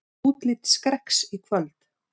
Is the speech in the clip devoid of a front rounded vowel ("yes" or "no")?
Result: no